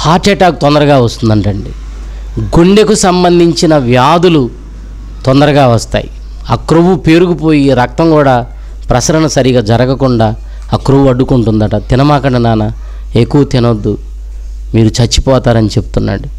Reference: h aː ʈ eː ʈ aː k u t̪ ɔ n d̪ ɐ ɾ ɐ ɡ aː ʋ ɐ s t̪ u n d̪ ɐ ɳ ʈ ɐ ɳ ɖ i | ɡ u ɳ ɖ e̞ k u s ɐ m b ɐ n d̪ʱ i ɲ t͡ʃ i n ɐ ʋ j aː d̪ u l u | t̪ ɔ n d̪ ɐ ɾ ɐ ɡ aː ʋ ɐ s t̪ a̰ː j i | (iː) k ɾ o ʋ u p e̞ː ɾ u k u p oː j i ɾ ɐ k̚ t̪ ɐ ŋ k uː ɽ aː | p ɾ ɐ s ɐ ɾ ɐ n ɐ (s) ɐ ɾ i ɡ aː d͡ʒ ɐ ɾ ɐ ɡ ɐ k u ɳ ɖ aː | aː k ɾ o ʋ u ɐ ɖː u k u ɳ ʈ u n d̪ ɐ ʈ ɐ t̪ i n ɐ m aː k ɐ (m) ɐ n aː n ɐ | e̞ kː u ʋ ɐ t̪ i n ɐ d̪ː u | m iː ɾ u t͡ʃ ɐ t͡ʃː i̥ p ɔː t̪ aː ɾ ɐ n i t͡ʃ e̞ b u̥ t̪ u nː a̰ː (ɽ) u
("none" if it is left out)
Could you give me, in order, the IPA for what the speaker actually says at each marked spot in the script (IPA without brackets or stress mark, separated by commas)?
aː, s, ɳ, ɽ